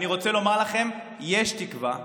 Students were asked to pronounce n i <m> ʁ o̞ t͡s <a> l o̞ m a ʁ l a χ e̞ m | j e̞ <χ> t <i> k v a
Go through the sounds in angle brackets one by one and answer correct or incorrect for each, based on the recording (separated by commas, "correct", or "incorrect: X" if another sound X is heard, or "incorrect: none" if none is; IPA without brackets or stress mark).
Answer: incorrect: none, incorrect: e, incorrect: ʃ, correct